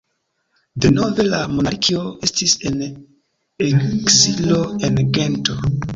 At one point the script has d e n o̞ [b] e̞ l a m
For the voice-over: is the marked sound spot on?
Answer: no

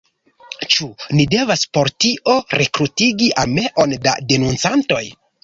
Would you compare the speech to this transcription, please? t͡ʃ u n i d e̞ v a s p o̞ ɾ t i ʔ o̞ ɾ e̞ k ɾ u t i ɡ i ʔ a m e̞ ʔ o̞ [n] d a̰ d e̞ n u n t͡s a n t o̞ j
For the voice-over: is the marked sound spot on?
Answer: yes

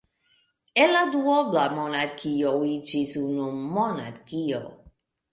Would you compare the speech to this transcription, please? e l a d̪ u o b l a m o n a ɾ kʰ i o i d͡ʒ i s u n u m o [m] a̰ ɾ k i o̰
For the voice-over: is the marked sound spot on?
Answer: no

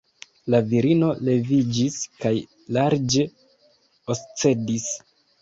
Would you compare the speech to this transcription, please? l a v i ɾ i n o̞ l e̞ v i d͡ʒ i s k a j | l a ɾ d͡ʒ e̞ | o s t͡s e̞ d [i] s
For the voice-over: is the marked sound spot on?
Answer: yes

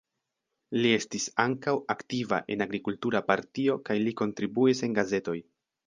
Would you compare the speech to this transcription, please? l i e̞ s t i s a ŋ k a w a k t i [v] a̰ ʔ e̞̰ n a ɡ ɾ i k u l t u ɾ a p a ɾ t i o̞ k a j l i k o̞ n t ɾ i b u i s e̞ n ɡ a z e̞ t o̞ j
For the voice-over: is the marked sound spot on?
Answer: yes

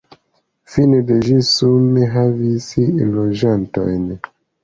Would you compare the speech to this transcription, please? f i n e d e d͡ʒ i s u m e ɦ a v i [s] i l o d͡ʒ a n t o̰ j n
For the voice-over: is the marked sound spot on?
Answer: yes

